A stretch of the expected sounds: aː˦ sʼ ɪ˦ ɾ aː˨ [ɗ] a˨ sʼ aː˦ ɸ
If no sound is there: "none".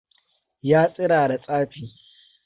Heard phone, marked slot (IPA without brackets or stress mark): d